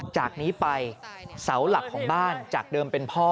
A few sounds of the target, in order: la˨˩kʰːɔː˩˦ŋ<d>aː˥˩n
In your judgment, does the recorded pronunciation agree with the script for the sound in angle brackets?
no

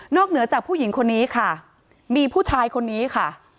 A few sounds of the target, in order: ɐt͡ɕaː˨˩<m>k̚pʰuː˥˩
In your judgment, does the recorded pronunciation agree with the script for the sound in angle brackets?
no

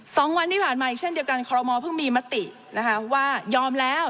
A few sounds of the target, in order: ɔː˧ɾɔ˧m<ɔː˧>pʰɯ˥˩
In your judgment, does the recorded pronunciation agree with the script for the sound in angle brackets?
yes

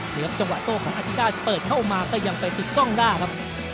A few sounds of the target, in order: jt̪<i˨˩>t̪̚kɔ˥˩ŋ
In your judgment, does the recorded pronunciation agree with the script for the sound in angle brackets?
yes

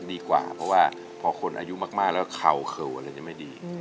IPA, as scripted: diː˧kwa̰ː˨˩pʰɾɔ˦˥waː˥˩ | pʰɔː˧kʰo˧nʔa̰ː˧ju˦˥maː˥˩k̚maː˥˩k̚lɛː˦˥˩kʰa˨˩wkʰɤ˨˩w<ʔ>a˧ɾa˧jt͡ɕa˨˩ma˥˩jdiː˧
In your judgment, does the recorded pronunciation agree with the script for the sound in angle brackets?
yes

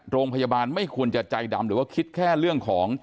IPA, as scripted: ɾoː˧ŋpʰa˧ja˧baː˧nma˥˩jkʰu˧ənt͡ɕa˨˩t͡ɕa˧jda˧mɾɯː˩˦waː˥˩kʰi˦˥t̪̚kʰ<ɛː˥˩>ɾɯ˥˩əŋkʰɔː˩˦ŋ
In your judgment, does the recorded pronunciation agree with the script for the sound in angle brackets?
yes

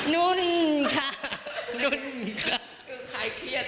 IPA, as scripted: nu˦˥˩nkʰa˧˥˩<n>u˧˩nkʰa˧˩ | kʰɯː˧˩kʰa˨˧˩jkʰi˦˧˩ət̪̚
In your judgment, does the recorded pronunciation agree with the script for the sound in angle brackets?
yes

